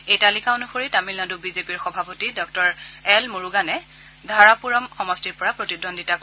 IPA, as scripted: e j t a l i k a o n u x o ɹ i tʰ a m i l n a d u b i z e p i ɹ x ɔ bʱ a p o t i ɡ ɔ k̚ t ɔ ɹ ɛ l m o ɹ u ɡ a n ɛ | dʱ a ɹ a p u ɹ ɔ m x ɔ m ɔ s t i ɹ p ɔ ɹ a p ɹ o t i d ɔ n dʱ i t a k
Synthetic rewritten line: e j t a l i k a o n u x o ɹ i t a m i l n a d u b i z e p i ɹ x ɔ bʱ a p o t i d ɔ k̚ t ɔ ɹ ɛ l m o ɹ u ɡ a n ɛ | dʱ a ɹ a p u ɹ ɔ m x ɔ m ɔ s t i ɹ p ɔ ɹ a p ɹ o t i d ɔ n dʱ i t a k